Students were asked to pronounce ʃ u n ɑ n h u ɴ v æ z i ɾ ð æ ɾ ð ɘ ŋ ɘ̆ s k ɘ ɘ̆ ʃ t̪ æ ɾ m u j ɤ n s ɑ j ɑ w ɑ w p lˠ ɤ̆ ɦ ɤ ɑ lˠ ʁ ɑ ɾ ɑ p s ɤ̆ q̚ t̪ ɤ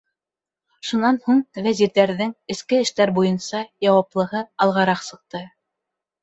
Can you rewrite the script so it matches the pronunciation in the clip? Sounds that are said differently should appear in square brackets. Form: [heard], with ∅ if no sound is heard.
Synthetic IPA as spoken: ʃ u n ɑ n h u ɴ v æ z i ɾ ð æ ɾ ð ɘ ŋ ɘ̆ s k ɘ ɘ̆ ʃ t̪ æ ɾ [b] u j ɤ n s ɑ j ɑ w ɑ [∅] p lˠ ɤ̆ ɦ ɤ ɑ lˠ ʁ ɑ ɾ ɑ [q] s ɤ̆ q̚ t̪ ɤ

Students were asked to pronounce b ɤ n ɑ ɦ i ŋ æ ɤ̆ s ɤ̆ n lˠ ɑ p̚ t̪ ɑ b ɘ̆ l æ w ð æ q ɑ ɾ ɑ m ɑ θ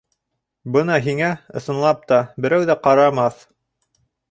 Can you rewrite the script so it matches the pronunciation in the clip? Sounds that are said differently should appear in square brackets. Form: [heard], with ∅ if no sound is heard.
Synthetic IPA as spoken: b ɤ n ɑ ɦ i ŋ æ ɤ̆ s ɤ̆ n lˠ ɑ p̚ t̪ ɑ b ɘ̆ [ɾ] æ w ð æ q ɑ ɾ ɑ m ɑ θ

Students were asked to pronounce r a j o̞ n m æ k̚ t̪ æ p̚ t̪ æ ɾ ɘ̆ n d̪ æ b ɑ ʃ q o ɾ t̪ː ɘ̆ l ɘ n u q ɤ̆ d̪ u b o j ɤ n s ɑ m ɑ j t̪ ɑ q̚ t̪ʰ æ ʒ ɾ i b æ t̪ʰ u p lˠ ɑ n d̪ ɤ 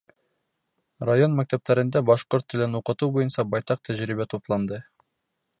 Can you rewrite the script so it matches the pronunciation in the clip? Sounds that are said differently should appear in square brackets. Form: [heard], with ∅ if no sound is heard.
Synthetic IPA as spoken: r a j o̞ n m æ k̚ t̪ æ p̚ t̪ æ ɾ ɘ̆ n d̪ æ b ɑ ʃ q o ɾ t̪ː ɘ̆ l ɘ n u q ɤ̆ [t̪] u b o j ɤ n s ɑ [b] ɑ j t̪ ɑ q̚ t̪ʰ æ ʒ ɾ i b æ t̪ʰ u p lˠ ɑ n d̪ ɤ

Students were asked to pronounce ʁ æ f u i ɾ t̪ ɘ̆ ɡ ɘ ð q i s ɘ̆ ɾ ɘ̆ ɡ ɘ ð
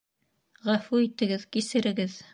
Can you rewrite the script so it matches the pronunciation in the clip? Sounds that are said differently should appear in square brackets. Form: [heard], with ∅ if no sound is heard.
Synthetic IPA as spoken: ʁ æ f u i [∅] t̪ ɘ̆ ɡ ɘ ð [k] i s ɘ̆ ɾ ɘ̆ ɡ ɘ ð

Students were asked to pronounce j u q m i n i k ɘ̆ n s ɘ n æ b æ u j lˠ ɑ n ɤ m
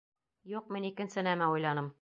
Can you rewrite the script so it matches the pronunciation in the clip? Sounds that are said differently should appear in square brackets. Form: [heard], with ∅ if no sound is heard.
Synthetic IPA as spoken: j u q m i n i k ɘ̆ n s ɘ n æ [m] æ u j lˠ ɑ n ɤ m

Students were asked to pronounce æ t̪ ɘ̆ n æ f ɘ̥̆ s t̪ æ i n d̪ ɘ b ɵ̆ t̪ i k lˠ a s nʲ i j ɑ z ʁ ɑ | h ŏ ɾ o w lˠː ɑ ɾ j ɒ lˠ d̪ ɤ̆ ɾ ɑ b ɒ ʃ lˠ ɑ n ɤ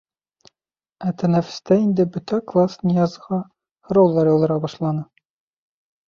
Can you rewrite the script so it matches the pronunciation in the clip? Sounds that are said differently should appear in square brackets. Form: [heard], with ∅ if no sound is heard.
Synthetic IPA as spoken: æ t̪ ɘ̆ n æ f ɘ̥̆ s t̪ æ i n d̪ ɘ b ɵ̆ t̪ [æ] k lˠ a s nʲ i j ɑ z ʁ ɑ | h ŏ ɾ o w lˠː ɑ ɾ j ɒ lˠ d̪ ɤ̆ ɾ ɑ b ɒ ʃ lˠ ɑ n ɤ

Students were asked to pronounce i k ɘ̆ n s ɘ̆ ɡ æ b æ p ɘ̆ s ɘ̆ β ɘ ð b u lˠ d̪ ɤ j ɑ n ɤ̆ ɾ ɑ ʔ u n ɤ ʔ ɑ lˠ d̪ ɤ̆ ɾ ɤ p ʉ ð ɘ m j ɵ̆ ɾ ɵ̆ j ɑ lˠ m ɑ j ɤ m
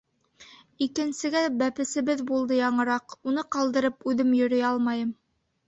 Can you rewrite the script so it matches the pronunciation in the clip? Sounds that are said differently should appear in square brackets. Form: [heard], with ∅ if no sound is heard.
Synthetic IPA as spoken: i k ɘ̆ n s ɘ̆ ɡ æ b æ p ɘ̆ s ɘ̆ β ɘ ð b u lˠ d̪ ɤ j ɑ [ɴ] ɤ̆ ɾ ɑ [q] u n ɤ [q] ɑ lˠ d̪ ɤ̆ ɾ ɤ p ʉ ð ɘ m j ɵ̆ ɾ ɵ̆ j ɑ lˠ m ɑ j ɤ m

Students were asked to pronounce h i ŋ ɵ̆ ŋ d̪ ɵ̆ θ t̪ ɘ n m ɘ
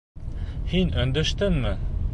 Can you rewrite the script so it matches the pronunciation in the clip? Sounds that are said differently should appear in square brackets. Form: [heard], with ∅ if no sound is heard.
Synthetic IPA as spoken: h i [n] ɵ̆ [n] d̪ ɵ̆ [ʃ] t̪ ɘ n m ɘ

